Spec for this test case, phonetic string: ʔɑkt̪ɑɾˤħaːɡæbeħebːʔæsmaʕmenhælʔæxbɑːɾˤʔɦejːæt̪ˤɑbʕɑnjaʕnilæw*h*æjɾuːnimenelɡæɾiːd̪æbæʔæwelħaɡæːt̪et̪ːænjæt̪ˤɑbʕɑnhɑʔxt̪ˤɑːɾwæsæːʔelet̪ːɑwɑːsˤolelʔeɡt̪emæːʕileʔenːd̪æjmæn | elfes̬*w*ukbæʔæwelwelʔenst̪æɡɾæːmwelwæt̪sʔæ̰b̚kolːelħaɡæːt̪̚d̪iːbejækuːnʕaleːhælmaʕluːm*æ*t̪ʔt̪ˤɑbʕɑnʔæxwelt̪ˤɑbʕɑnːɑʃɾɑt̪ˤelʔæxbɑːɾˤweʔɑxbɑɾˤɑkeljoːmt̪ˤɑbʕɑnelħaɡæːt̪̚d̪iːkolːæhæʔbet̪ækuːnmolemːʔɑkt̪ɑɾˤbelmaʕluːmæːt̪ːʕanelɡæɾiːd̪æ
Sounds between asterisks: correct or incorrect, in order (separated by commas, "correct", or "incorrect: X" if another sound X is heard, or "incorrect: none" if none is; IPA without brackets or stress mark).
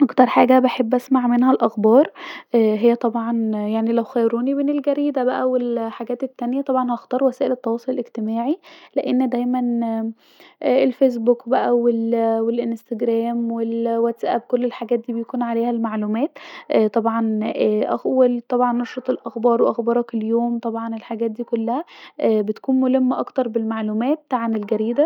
incorrect: x, incorrect: b, incorrect: æː